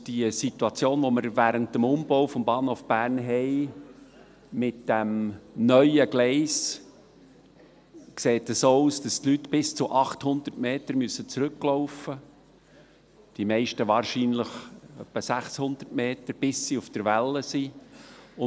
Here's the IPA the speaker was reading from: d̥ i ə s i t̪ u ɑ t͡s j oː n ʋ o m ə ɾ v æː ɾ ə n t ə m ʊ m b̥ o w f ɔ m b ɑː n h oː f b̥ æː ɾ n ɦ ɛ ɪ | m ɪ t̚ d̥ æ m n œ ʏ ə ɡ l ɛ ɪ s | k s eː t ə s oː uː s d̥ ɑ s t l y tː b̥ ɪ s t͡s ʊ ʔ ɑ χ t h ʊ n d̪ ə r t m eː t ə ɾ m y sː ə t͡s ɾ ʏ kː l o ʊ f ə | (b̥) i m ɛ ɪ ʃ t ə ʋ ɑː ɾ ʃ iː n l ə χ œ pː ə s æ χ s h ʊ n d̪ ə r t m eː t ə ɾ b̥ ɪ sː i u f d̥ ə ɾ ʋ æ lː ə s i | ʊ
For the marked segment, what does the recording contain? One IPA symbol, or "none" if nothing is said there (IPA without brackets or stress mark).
d̥